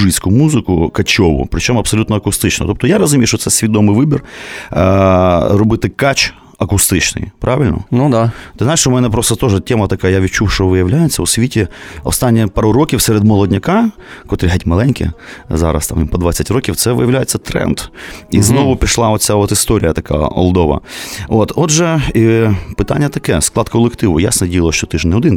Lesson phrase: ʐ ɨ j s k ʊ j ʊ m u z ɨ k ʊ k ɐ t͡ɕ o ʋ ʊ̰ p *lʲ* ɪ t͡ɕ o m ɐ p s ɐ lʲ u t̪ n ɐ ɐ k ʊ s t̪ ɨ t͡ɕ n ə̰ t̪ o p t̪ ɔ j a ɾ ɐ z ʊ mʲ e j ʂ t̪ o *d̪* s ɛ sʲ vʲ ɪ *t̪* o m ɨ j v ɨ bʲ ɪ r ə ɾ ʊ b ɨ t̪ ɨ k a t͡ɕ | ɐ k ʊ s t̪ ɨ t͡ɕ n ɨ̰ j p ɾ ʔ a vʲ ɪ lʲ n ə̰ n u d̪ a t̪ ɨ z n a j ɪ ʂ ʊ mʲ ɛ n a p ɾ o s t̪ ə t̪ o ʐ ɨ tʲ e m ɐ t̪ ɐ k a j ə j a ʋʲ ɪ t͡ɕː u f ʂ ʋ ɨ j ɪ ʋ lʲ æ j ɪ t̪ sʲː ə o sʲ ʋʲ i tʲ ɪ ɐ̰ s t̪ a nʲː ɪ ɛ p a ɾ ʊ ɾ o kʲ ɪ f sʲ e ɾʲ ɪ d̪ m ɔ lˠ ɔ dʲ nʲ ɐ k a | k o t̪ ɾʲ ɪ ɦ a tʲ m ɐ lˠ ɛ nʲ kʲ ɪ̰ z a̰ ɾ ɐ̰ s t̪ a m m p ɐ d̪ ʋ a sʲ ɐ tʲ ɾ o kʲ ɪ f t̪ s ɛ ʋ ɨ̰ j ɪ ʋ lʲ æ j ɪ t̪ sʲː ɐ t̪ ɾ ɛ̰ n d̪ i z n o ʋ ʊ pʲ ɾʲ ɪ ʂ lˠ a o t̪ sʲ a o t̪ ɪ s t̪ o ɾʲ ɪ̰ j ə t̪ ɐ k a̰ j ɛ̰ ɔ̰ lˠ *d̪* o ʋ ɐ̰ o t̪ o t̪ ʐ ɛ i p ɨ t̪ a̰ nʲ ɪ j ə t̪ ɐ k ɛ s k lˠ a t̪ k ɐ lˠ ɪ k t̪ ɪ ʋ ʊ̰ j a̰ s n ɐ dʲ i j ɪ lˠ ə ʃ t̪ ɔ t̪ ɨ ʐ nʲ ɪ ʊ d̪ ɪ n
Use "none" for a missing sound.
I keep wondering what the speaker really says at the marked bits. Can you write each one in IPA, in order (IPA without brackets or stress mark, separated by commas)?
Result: ɾʲ, t̪, d̪, d̪